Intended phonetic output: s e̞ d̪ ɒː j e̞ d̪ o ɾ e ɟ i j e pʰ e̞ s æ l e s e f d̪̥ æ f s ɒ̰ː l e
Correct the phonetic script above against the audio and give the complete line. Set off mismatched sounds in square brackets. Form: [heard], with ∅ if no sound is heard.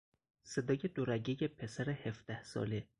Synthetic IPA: s e̞ d̪ ɒː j e̞ d̪ o ɾ [æ] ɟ [e] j e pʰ e̞ s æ [ɾ] e [h] e f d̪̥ æ [h] s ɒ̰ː l e